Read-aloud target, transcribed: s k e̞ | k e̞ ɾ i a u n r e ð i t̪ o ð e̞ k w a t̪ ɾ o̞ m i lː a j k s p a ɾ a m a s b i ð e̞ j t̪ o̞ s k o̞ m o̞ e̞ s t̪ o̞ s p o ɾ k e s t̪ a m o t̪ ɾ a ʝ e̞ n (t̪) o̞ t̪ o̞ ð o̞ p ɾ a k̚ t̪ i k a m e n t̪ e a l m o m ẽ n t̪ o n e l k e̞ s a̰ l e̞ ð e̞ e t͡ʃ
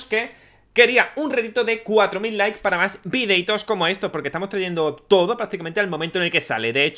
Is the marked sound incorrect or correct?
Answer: incorrect